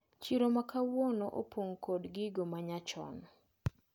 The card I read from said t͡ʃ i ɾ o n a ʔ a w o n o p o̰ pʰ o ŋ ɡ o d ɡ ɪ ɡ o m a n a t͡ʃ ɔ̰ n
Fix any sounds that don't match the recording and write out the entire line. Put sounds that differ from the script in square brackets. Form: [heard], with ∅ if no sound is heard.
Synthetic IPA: t͡ʃ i ɾ o [m] a [k] a w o n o [ʔ] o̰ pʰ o ŋ [k] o d ɡ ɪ ɡ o m a [ɲ] a t͡ʃ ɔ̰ n